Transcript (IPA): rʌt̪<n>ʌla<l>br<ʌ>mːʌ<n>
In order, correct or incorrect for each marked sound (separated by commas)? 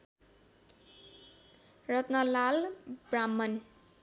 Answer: correct, correct, incorrect, correct